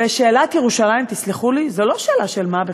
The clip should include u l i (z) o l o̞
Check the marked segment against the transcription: correct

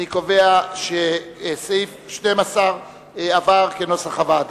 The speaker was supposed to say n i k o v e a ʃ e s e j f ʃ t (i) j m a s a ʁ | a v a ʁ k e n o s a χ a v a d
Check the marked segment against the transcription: incorrect: e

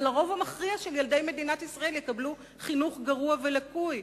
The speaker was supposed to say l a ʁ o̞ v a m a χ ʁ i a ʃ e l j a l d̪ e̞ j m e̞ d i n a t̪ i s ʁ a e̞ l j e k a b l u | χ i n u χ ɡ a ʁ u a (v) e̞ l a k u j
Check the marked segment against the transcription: correct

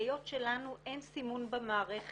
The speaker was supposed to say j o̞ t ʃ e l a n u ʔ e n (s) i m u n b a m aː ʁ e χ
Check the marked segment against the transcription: correct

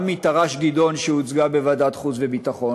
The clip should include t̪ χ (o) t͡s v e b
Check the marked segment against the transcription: incorrect: u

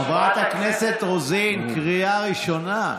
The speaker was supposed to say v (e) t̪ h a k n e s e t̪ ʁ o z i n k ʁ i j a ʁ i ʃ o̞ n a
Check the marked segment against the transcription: incorrect: a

